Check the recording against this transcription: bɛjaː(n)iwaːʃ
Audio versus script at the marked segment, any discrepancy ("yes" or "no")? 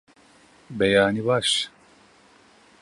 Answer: no